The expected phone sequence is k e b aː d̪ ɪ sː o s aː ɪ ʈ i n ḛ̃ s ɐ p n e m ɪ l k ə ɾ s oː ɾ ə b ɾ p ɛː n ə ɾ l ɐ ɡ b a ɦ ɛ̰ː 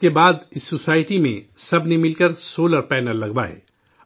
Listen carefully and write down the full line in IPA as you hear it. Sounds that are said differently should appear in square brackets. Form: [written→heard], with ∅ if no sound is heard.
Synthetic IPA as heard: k e b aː d̪ ɪ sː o s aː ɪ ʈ i [n→m] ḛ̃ s ɐ [p→b] n e m ɪ l k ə ɾ s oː [ɾ→l] ə [b→∅] ɾ p ɛː n ə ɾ l ɐ ɡ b a ɦ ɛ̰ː